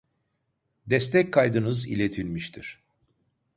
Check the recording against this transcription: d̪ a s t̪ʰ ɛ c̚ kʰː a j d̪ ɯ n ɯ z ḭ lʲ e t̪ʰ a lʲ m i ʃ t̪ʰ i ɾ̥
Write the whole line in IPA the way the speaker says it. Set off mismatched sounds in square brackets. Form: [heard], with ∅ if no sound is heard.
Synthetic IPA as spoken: d̪ [ɛ] s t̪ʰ ɛ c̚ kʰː a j d̪ ɯ n ɯ z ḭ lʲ e t̪ʰ [i] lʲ m i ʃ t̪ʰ i ɾ̥

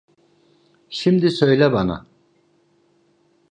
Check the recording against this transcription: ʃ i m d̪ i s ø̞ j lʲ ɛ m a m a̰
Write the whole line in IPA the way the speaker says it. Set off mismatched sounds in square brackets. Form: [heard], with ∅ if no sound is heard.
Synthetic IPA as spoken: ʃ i m d̪ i s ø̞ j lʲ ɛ [b] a [n] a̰

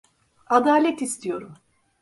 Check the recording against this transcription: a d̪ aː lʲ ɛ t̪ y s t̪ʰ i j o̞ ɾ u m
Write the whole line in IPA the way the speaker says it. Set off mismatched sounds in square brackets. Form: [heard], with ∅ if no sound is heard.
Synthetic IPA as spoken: a d̪ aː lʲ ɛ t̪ [i] s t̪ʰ i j o̞ ɾ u m

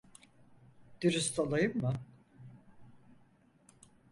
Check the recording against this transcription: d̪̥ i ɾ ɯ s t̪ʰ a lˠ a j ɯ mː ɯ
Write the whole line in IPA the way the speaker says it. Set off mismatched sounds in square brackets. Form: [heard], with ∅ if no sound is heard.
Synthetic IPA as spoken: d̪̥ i ɾ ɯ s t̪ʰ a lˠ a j ɯ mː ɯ

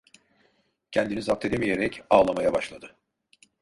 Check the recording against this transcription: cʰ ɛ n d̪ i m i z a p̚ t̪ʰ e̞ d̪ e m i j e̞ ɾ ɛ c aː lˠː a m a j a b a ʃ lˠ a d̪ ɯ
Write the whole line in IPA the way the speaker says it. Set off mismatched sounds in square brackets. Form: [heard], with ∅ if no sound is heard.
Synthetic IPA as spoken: cʰ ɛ n d̪ i [n] i z a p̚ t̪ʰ e̞ d̪ e m i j e̞ ɾ ɛ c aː [lˠ] a m a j a b a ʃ lˠ a d̪ ɯ

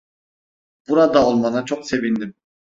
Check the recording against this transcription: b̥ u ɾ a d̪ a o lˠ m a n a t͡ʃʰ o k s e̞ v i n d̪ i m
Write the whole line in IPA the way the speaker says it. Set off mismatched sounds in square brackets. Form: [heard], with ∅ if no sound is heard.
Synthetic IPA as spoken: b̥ u ɾ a d̪ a o lˠ m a n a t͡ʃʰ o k s e̞ v i n d̪ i m

